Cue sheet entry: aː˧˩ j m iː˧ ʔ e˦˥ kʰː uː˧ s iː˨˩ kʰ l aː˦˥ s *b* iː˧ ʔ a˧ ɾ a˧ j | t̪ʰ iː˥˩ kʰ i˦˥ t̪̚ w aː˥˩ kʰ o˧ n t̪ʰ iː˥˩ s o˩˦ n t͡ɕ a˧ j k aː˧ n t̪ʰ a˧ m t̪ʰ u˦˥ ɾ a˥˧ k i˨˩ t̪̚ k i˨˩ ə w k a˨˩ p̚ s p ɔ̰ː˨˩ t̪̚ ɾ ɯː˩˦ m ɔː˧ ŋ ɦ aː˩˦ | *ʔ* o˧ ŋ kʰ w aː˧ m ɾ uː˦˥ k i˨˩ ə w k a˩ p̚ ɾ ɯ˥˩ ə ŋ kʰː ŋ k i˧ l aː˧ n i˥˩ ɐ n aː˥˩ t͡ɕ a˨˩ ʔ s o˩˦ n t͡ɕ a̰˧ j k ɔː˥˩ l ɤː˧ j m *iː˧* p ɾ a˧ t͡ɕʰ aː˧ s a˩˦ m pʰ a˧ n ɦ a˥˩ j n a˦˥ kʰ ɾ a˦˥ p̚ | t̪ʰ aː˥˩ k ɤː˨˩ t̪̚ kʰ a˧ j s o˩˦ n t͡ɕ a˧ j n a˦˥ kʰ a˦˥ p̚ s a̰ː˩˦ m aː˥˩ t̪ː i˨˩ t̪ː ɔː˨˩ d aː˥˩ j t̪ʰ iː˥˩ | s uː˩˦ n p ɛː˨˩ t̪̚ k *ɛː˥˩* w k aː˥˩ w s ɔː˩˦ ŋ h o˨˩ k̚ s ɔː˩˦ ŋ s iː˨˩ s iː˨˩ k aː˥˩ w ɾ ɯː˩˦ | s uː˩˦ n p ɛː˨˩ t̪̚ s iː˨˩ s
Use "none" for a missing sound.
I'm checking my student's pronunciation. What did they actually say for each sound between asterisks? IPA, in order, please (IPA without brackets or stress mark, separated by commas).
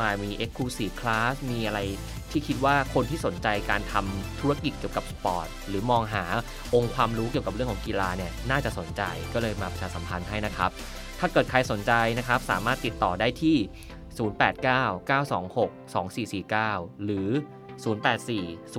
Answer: m, ʔ, aː˧, aː˥˩